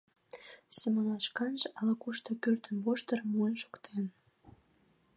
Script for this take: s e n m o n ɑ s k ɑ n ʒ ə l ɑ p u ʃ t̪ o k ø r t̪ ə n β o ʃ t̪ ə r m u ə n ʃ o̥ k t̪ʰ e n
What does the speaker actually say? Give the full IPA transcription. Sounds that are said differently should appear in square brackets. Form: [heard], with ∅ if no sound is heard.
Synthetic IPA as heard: s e [∅] m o n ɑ [ʃ] k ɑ n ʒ [ɑ] l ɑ [k] u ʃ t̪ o k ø r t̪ ə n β o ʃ t̪ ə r m u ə n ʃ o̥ k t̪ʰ e n

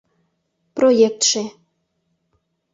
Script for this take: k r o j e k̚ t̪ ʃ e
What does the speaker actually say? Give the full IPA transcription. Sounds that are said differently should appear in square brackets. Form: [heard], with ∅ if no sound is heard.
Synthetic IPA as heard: [p] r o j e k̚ t̪ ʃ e

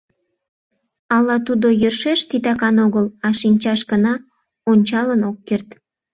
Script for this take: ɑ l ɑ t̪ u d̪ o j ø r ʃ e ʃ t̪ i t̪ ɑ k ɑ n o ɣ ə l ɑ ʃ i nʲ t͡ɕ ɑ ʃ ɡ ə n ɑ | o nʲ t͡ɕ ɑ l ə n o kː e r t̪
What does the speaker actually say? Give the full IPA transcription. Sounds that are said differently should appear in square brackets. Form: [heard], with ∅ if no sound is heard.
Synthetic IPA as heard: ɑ l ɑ t̪ u d̪ o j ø r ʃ e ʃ t̪ i t̪ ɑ k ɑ n o ɣ ə l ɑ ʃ i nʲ t͡ɕ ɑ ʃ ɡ ə n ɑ | o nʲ t͡ɕ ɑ l ə n o kː e r t̪

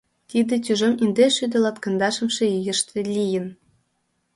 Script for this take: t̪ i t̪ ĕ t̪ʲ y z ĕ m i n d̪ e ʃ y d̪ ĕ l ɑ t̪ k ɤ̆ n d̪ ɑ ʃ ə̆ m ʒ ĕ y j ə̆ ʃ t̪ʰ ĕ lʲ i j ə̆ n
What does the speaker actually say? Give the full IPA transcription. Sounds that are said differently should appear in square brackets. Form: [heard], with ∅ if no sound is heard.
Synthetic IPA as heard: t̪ i [d̪] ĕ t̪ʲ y [ʒ] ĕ m i n d̪ e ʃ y d̪ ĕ l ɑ t̪ k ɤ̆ n d̪ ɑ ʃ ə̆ m [ʃ] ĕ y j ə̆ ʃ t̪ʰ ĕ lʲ i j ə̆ n

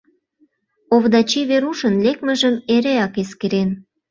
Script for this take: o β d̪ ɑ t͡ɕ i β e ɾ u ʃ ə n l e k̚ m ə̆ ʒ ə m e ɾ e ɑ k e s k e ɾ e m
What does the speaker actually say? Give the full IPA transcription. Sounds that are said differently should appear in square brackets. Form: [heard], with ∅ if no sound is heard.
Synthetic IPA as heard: o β d̪ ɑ t͡ɕ i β e ɾ u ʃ ə n l e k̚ m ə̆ ʒ ə m e ɾ e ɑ k e s k e ɾ e [n]

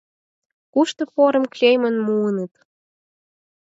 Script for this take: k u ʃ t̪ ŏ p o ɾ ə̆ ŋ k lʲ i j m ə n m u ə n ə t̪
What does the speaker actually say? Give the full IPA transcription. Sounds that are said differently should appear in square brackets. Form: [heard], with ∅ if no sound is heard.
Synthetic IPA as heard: k u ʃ t̪ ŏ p o ɾ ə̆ [m] k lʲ [e] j m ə n m u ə n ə t̪

